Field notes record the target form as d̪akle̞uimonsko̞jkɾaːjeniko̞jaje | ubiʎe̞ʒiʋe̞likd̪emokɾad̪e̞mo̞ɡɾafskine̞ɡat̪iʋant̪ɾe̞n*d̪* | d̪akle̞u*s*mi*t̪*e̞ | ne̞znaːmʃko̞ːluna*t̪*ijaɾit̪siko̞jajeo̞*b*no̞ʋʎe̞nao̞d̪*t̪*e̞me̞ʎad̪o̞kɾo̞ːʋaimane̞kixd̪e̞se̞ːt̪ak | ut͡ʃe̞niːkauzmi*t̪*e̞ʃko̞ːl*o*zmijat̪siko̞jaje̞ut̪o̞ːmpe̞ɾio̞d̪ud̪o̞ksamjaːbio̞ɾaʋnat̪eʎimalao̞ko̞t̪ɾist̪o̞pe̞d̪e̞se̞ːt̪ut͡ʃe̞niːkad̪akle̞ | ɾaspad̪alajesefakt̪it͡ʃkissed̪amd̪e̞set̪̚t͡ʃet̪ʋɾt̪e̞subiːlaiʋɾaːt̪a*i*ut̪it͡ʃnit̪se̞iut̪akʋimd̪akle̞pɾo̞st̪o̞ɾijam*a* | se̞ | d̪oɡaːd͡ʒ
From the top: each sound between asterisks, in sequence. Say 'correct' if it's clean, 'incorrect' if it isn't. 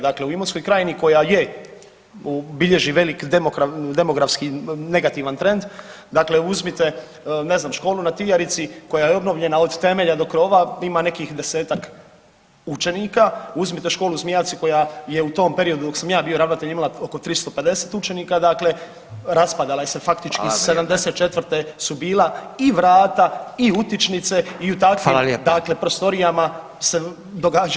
correct, incorrect, correct, correct, correct, correct, correct, incorrect, correct, correct

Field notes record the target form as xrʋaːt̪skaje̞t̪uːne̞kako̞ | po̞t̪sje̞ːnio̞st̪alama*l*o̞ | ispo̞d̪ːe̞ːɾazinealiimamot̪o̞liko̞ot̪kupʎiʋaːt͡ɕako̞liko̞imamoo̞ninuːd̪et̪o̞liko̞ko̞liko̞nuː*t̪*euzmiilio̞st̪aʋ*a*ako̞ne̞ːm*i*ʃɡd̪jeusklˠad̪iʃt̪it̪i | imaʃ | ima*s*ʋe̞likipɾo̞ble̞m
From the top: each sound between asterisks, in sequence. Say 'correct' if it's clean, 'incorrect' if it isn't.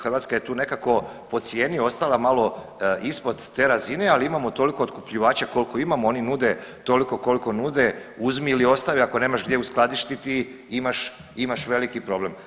correct, incorrect, incorrect, incorrect, incorrect

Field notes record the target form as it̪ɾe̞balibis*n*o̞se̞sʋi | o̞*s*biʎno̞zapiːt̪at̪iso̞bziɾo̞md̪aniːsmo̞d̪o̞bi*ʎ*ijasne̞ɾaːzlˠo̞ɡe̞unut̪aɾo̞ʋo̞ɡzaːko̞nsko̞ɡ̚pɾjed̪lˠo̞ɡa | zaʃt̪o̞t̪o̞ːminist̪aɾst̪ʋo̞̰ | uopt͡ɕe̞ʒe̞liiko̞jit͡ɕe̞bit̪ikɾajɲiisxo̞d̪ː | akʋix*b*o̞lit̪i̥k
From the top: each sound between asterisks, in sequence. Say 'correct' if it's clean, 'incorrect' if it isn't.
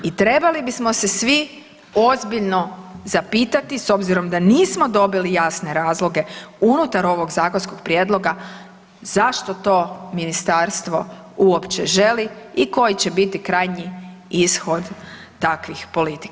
incorrect, incorrect, incorrect, incorrect

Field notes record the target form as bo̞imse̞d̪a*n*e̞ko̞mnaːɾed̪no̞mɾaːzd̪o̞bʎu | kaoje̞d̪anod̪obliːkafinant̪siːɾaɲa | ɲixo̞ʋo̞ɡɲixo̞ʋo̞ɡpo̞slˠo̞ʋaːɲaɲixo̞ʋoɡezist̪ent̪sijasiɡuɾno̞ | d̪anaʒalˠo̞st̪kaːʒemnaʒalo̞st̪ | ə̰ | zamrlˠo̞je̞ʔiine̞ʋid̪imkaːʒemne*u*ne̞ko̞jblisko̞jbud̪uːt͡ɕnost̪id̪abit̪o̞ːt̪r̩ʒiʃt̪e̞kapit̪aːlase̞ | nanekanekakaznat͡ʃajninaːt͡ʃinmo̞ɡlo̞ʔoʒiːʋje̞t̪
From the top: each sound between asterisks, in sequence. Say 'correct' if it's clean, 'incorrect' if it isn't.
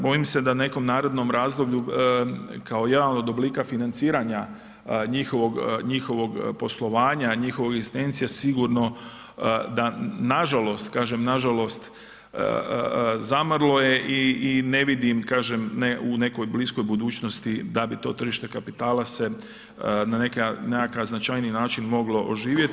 correct, correct

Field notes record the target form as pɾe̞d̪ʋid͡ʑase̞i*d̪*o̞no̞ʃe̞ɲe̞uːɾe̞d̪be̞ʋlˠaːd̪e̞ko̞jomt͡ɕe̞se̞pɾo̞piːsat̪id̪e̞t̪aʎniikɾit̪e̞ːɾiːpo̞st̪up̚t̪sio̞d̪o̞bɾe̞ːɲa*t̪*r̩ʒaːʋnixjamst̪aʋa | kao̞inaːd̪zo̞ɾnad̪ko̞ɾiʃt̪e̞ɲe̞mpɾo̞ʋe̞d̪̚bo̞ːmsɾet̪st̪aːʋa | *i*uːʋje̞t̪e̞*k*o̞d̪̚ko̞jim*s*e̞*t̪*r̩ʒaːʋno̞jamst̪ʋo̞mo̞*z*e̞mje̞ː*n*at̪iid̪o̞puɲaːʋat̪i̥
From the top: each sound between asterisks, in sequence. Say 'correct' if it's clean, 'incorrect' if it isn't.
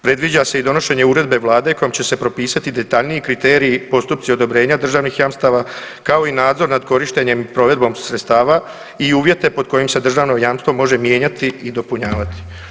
correct, incorrect, correct, incorrect, correct, incorrect, incorrect, incorrect

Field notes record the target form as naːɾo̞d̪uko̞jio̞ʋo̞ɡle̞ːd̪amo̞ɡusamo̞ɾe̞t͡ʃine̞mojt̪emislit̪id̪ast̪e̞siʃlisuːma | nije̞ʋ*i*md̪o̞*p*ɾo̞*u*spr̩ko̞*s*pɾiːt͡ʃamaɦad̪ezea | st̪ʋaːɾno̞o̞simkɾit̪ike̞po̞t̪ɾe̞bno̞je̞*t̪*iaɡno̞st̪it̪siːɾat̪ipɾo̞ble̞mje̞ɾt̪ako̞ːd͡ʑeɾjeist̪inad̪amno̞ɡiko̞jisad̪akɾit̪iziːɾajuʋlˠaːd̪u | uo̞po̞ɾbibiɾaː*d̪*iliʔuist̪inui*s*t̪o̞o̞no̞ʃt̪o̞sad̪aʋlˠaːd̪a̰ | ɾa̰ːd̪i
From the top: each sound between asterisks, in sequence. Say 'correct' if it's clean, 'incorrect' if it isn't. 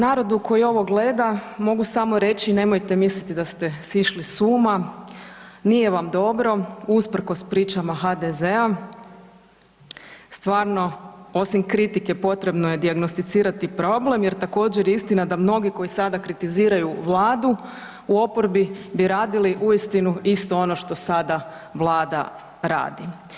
incorrect, incorrect, correct, correct, incorrect, correct, correct

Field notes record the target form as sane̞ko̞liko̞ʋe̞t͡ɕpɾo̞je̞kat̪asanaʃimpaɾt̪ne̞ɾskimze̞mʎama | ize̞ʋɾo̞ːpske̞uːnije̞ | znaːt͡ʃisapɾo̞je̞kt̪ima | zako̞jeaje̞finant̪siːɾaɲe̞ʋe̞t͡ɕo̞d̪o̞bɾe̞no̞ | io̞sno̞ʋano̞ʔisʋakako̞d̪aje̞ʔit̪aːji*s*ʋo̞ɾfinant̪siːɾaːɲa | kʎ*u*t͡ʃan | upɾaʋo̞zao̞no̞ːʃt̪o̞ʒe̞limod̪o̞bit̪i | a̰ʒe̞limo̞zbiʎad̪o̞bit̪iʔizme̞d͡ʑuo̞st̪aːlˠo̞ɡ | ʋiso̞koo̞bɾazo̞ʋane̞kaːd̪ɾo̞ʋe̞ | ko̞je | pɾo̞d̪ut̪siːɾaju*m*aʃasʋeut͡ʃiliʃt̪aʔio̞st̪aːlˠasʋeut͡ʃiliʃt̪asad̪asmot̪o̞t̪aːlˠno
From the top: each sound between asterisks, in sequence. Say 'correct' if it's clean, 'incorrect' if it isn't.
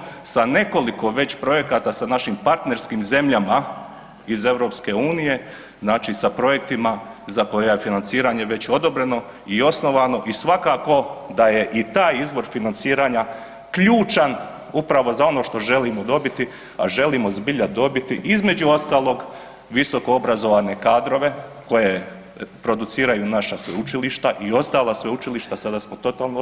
incorrect, incorrect, incorrect

